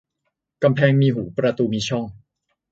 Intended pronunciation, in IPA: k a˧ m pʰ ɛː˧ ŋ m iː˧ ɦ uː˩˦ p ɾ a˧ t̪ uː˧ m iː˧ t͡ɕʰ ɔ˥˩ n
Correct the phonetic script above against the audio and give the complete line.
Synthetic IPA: k a˧ m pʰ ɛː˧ ŋ m iː˧ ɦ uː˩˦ p ɾ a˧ t̪ uː˧ m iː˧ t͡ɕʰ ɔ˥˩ ŋ